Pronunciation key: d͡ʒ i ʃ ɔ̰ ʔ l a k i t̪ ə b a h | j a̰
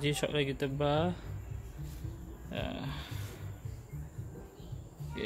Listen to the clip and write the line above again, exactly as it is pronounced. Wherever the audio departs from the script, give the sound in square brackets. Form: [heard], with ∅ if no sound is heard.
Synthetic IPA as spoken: d͡ʒ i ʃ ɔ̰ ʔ l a [ɡ] i t̪ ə b a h | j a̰